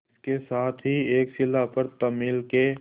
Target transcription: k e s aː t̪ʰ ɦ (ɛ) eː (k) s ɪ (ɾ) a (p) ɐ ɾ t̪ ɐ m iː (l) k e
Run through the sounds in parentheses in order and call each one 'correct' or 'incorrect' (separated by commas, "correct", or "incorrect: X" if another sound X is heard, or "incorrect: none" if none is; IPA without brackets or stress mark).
incorrect: i, correct, incorrect: l, correct, correct